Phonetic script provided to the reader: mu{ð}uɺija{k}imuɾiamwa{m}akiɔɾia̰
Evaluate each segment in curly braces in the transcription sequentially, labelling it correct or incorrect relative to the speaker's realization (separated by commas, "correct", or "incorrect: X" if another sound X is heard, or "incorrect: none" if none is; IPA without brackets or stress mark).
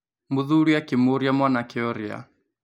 correct, correct, incorrect: n